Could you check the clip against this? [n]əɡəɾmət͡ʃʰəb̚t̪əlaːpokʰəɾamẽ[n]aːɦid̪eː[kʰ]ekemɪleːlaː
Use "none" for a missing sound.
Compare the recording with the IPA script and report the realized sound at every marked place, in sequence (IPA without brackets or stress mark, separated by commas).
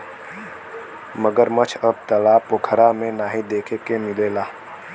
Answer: m, n, kʰ